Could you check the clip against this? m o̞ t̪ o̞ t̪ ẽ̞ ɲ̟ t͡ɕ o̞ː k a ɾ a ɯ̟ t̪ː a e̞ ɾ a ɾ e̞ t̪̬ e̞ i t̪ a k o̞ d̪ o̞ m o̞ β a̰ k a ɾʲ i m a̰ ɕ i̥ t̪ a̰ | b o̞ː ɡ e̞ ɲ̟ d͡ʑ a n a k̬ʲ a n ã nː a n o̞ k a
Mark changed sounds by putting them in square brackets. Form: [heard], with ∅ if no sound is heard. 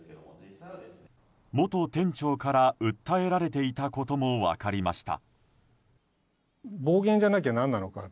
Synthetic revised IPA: m o̞ t̪ o̞ t̪ ẽ̞ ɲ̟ t͡ɕ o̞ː k a ɾ a ɯ̟ t̪ː a e̞ ɾ a ɾ e̞ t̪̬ e̞ i t̪ a k o̞ [t̪] o̞ m o̞ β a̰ k a ɾʲ i m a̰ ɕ i̥ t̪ a̰ | b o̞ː ɡ [ẽ̞] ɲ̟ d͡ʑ a n a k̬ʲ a n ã nː a n o̞ k a